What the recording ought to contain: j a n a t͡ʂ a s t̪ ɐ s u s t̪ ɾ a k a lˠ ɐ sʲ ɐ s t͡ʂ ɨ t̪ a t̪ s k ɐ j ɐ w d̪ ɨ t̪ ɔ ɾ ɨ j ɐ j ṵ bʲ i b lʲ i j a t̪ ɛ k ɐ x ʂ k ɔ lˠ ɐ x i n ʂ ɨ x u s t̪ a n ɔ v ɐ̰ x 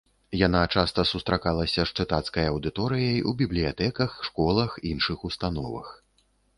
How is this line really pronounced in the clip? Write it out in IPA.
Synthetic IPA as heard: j a n a t͡ʂ a s t̪ ɐ s u s t̪ ɾ a k a lˠ ɐ sʲ ɐ ʂ t͡ʂ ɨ t̪ a t̪ s k ɐ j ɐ w d̪ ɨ t̪ ɔ ɾ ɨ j ɐ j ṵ bʲ i b lʲ i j a t̪ ɛ k ɐ x ʂ k ɔ lˠ ɐ x i n ʂ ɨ x u s t̪ a n ɔ v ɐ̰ x